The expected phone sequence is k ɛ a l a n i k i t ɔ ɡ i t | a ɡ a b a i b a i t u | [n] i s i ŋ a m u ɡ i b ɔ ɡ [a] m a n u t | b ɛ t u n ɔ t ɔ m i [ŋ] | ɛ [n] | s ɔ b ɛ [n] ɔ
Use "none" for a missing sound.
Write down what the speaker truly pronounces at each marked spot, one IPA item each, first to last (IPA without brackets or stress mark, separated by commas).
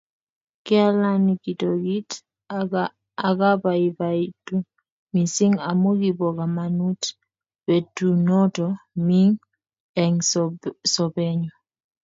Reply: m, a, ŋ, ŋ, ɲ